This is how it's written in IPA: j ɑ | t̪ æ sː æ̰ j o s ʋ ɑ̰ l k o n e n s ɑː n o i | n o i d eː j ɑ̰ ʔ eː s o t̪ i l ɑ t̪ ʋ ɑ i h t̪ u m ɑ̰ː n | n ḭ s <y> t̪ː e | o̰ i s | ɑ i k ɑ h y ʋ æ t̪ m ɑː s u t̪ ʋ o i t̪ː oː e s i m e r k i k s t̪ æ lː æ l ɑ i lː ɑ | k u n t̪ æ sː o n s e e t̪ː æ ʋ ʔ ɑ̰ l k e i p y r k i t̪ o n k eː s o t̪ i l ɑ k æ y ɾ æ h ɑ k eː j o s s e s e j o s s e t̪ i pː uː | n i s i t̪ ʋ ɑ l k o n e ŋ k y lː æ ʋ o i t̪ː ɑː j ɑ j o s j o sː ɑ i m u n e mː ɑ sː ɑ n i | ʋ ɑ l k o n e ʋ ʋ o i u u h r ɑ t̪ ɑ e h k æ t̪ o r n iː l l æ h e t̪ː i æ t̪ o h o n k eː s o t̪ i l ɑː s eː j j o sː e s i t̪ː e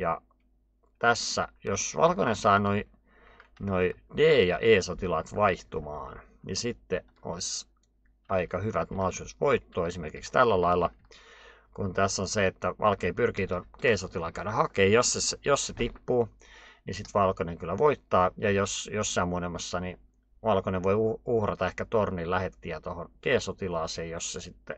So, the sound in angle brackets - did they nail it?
no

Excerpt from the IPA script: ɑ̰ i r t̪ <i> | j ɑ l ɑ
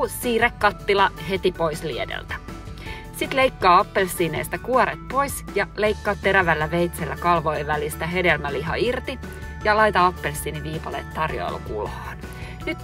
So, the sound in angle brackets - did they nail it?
yes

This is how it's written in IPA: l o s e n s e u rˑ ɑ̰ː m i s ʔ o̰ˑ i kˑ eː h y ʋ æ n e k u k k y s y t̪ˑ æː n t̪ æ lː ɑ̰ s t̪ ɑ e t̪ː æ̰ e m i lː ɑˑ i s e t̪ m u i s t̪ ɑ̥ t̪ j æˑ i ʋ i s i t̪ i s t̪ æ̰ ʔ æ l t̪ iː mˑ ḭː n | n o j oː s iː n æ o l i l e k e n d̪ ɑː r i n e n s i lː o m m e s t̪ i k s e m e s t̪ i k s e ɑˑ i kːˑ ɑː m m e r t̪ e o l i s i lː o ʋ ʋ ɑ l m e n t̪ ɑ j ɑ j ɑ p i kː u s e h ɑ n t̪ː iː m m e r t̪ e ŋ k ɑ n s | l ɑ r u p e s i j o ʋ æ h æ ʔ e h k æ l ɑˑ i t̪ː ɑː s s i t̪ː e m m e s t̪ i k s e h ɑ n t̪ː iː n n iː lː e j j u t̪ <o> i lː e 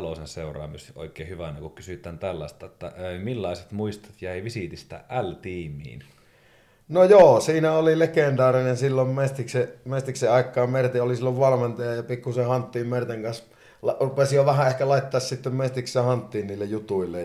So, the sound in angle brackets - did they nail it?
no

